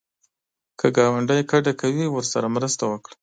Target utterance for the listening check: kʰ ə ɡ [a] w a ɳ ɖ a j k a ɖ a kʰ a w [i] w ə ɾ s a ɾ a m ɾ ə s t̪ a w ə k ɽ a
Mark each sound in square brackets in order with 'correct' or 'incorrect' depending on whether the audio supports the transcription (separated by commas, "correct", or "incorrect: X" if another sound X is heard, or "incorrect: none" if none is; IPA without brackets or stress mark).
incorrect: ɑ, correct